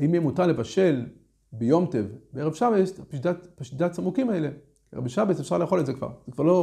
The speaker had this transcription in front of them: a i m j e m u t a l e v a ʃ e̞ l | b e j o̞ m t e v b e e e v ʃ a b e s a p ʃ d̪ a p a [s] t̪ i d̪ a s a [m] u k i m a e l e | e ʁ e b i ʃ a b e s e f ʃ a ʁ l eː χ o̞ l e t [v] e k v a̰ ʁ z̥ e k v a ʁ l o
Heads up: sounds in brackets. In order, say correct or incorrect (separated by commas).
incorrect, correct, incorrect